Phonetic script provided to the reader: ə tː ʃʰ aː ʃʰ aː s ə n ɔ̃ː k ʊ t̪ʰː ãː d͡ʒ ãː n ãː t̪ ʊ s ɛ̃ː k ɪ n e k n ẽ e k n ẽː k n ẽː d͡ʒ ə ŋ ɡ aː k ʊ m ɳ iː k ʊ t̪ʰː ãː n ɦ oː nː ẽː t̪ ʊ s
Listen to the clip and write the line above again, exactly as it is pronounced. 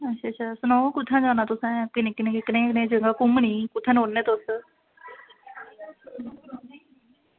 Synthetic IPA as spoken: ə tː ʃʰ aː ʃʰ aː s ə n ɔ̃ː k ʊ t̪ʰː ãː d͡ʒ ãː n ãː t̪ ʊ s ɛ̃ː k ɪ n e k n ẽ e k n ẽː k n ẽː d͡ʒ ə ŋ ɡ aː k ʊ m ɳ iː k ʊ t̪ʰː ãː n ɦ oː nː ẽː t̪ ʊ s